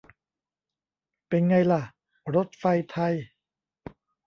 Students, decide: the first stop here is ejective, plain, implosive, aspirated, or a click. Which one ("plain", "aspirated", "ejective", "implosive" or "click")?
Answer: plain